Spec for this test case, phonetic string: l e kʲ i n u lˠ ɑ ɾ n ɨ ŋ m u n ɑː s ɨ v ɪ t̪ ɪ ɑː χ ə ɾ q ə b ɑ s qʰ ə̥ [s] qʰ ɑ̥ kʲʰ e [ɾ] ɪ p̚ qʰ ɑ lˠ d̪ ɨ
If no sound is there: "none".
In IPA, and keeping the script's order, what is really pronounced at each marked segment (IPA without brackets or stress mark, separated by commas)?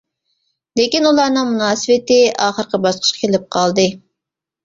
ʃ, l